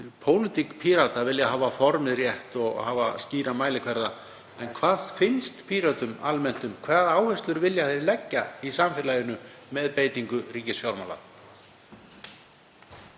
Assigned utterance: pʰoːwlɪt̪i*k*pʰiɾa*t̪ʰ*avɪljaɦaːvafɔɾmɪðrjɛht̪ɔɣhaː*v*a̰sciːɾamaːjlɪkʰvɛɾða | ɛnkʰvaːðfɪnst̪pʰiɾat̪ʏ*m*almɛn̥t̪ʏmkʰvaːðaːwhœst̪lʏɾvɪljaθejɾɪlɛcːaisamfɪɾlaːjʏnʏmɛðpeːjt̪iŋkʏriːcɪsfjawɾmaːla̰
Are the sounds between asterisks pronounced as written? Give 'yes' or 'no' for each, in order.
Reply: yes, no, yes, yes

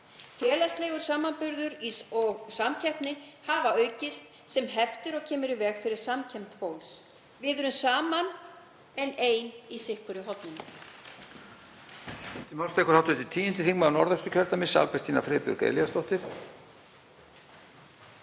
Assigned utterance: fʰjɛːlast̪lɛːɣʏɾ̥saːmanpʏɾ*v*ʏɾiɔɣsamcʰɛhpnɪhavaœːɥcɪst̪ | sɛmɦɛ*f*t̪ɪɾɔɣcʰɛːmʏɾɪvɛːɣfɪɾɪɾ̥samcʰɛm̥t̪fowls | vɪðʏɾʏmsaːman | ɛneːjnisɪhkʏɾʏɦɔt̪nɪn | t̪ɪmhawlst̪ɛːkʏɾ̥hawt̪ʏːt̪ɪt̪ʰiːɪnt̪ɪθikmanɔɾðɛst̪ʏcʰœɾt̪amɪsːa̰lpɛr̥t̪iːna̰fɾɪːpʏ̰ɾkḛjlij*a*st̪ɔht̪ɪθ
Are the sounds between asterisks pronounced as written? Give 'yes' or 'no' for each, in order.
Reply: no, yes, yes

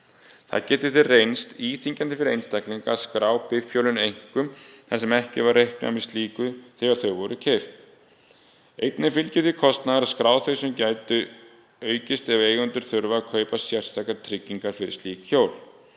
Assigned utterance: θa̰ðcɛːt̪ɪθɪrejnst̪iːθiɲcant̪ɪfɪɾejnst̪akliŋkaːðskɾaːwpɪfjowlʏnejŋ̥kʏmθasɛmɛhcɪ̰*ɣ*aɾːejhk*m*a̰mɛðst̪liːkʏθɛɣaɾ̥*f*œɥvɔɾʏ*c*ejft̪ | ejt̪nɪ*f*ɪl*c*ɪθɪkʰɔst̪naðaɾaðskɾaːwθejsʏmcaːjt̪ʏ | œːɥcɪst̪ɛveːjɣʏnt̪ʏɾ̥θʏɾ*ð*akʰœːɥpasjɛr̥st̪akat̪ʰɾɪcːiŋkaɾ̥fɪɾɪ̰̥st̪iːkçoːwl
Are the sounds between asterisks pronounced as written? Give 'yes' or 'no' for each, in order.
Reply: no, no, no, no, yes, yes, no

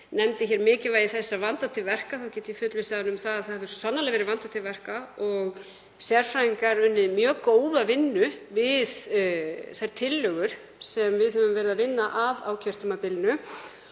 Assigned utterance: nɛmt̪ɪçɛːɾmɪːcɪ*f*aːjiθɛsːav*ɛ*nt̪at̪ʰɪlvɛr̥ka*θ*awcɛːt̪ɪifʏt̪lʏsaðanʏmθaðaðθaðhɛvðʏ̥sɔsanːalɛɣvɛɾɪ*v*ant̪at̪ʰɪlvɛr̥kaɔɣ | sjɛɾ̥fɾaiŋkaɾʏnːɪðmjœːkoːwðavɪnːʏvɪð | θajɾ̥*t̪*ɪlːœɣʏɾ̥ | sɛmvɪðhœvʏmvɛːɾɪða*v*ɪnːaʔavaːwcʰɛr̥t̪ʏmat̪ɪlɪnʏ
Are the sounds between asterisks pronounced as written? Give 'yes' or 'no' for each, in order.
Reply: no, no, yes, yes, no, yes

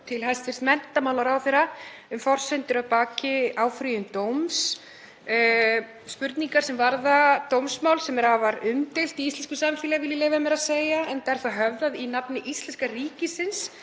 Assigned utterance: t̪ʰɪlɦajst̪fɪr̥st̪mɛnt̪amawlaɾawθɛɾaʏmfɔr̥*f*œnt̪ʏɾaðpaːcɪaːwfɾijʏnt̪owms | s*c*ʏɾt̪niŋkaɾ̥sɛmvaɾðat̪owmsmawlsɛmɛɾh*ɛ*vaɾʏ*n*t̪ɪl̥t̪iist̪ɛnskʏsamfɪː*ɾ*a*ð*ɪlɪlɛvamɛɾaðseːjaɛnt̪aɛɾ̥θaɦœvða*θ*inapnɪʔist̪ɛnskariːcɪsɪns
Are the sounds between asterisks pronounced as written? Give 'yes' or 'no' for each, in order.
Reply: no, no, no, no, no, no, no

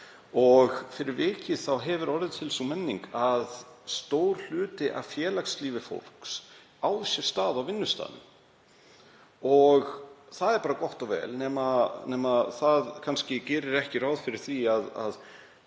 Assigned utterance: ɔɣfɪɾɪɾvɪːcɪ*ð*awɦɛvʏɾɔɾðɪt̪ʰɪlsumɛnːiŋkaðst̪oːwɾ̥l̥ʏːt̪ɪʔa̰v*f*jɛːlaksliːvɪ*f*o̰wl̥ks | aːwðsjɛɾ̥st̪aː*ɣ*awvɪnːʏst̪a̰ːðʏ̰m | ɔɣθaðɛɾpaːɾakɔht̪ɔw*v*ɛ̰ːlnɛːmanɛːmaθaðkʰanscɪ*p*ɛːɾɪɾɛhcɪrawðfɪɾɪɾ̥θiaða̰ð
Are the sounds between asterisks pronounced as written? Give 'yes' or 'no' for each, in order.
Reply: no, yes, yes, no, yes, no

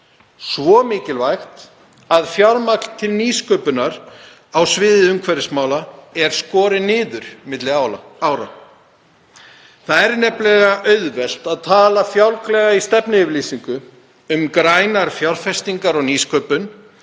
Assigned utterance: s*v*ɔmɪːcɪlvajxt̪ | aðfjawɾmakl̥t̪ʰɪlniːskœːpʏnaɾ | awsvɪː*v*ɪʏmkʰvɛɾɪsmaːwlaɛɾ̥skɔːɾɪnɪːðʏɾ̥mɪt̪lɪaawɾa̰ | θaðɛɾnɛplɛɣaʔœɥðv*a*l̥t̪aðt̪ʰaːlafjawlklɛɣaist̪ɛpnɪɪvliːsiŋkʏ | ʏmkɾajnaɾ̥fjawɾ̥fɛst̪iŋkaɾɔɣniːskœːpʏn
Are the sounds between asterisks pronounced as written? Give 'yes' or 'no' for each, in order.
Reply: yes, no, no

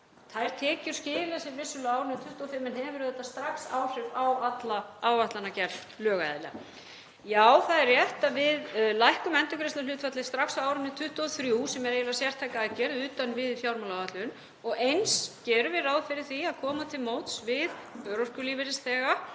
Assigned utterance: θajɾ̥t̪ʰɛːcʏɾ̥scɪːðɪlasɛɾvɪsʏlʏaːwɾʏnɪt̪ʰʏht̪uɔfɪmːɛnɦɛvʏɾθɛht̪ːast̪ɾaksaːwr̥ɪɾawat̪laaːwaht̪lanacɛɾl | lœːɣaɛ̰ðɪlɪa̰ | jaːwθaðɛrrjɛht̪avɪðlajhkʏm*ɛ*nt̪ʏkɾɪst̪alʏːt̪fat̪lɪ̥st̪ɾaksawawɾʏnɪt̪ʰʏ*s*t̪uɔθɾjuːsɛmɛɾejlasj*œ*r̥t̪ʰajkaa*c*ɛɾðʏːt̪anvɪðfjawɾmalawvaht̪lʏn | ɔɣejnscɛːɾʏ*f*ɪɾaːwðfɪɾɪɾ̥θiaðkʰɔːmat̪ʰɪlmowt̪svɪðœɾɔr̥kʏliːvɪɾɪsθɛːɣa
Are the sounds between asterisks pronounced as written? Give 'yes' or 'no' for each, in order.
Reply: yes, no, no, yes, no

